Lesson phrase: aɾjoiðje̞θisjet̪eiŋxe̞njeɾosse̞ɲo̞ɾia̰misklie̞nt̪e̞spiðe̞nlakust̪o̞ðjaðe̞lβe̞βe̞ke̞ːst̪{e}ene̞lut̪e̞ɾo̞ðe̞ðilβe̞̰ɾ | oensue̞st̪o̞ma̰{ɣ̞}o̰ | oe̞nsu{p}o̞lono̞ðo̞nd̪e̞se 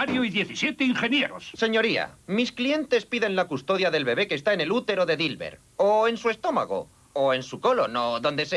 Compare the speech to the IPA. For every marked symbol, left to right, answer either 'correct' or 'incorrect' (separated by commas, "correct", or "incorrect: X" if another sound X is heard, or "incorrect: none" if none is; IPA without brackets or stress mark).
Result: incorrect: a, correct, incorrect: k